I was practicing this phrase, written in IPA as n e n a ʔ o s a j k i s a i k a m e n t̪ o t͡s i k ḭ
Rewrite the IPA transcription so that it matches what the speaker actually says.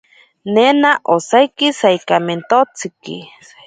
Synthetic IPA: n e n a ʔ o s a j k i s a i k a m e n t̪ o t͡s i k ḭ